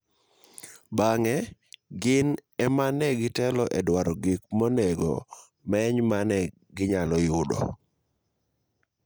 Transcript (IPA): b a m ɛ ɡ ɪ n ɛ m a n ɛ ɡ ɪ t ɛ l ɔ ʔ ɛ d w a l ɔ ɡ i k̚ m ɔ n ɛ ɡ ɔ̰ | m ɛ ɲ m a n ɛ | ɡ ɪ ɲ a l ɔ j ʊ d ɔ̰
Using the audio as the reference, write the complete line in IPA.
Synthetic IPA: b a ŋ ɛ ɡ ɪ n ɛ m a n ɛ ɡ ɪ t ɛ l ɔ ʔ ɛ d w a ɾ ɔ ɡ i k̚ m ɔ n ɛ ɡ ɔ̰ | m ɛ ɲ m a n ɛ | ɡ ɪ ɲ a l ɔ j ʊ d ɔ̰

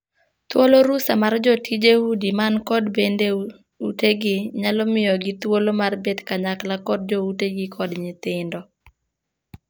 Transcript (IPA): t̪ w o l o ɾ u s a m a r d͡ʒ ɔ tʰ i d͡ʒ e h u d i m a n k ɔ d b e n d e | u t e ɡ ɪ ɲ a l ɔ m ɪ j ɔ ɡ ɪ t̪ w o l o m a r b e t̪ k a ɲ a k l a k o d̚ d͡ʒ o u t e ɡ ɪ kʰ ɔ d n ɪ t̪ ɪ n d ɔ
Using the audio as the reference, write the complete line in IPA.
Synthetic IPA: t̪ w o l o ɾ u s a m a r d͡ʒ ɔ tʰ i d͡ʒ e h u d i m a n k ɔ d b e n d e | u t e ɡ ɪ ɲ a l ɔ m ɪ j ɔ ɡ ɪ t̪ w o l o m a r b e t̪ k a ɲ a k l a k ɔ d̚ d͡ʒ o u t e ɡ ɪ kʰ ɔ d ɲ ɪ t̪ ɪ n d ɔ

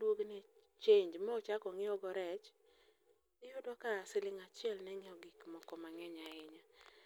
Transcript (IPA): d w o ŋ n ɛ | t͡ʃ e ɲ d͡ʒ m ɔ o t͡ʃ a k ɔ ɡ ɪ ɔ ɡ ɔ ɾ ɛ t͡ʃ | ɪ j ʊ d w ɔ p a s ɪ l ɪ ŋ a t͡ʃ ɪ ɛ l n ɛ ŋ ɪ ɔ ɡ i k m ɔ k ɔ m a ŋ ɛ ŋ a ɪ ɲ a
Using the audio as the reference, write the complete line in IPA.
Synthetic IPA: d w o ɡ n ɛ | t͡ʃ e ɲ d͡ʒ m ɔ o t͡ʃ a k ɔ ŋ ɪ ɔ ɡ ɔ ɾ ɛ t͡ʃ | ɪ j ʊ d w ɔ k a s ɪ l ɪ ŋ a t͡ʃ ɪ ɛ l n ɛ ŋ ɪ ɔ ɡ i k m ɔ k ɔ m a ŋ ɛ ɲ a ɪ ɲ a

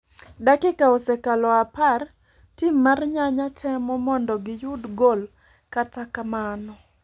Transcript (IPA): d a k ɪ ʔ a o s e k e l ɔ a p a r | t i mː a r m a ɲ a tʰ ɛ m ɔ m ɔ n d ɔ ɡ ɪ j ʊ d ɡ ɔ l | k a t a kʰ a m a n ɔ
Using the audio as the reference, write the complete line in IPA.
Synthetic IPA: d a k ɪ k a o s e k a l ɔ a p a r | t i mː a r ɲ a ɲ a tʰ ɛ m ɔ m ɔ n d ɔ ɡ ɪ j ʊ d ɡ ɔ l | k a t a k a m a n ɔ

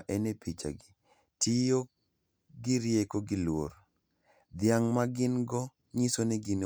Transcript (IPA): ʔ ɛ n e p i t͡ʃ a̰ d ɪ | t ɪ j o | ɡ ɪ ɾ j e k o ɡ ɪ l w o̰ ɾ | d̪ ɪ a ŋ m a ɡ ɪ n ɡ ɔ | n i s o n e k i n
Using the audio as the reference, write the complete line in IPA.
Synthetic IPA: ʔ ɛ n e p i t͡ʃ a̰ ɡ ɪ | t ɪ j o | ɡ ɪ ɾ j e k o ɡ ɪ l w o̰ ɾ | d̪ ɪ a ŋ m a ɡ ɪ n ɡ ɔ | ɲ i s o n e ɡ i n

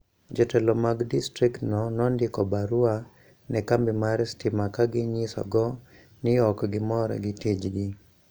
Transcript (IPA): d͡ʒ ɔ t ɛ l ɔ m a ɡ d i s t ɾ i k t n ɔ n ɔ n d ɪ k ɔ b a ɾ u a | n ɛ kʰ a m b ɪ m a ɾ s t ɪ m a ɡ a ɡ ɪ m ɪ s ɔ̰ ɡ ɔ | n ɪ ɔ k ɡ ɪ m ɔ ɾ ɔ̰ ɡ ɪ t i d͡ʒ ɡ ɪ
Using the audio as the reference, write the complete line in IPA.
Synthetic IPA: d͡ʒ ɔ t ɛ l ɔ m a ɡ d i s t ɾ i k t n ɔ n ɔ n d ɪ k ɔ b a ɾ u a | n ɛ k a m b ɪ m a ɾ s t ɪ m a k a ɡ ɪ ɲ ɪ s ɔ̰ ɡ ɔ | n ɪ ɔ k ɡ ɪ m ɔ ɾ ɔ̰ ɡ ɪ t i d͡ʒ ɡ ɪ

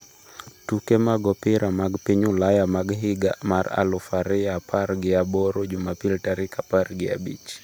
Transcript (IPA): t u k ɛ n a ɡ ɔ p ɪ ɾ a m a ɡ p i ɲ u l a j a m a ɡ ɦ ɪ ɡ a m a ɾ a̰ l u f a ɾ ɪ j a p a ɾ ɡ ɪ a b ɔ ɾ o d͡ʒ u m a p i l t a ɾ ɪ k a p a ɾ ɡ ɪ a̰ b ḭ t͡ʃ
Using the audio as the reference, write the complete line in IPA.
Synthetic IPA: t u k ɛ m a ɡ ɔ p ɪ ɾ a m a ɡ p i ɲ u l a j a m a ɡ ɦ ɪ ɡ a m a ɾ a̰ l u f a ɾ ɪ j a p a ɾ ɡ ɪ a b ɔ ɾ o d͡ʒ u m a p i l t a ɾ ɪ k a p a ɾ ɡ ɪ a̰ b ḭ t͡ʃ

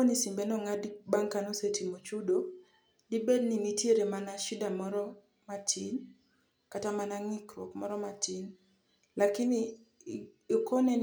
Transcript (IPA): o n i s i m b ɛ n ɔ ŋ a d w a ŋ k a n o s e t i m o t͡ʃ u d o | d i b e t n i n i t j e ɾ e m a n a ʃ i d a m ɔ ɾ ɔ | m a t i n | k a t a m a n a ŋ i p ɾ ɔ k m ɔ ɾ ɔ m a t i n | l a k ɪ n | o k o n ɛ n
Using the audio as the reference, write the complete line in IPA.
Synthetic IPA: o n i s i m b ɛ n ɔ ŋ a d b a ŋ k a n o s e t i m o t͡ʃ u d o | d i b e d n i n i t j e ɾ e m a n a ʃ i d a m ɔ ɾ ɔ | m a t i n | k a t a m a n a ŋ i k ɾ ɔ k m ɔ ɾ ɔ m a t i n | l a k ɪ n | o k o n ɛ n

